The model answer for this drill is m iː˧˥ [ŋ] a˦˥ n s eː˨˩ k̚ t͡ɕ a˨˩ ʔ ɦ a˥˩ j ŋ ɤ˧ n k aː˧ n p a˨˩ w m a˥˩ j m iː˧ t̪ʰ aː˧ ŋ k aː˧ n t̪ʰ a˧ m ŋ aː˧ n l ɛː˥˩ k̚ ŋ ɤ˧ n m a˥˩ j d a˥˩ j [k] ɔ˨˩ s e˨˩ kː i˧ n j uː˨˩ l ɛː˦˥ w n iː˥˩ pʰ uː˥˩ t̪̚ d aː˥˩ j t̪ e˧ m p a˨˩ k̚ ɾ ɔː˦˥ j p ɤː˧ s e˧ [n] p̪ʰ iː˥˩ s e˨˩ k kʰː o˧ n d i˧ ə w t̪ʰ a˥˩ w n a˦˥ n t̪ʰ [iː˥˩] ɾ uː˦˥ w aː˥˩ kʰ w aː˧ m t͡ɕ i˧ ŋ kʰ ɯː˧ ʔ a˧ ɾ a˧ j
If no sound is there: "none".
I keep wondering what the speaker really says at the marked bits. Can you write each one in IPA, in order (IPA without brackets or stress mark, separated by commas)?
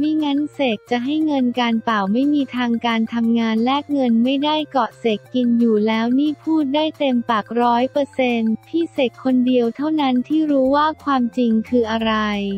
ŋ, k, n, iː˥˩